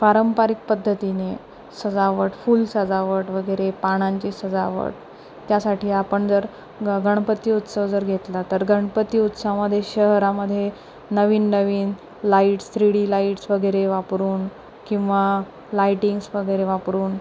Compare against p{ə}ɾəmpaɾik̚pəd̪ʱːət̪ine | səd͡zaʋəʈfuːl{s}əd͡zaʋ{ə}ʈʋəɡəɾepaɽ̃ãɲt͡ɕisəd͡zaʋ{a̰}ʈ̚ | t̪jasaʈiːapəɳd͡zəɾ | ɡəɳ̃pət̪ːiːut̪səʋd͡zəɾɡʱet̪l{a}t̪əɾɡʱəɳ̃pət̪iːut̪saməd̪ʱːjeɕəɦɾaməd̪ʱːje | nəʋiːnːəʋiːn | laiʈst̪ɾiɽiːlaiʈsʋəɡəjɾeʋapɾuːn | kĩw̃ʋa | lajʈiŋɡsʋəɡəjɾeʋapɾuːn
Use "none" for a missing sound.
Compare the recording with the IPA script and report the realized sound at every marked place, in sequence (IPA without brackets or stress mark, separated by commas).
a, s, ə, ə̰, a